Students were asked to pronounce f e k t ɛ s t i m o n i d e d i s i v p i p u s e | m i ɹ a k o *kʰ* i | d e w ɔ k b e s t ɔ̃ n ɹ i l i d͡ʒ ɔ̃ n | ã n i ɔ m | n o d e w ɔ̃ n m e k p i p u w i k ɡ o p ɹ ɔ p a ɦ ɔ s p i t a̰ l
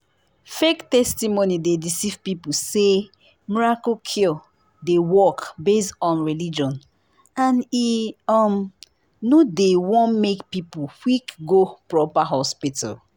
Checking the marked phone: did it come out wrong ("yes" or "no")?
no